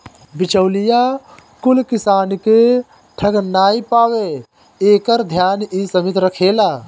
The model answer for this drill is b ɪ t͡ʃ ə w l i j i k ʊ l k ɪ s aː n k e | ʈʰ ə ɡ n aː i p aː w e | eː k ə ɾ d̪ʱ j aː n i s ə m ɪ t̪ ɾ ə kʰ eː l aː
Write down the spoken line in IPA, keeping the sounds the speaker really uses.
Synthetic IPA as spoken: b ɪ t͡ʃ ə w l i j a k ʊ l k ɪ s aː n k e | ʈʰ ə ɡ n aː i p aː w e | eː k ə ɾ d̪ʱ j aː n i s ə m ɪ t̪ ɾ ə kʰ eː l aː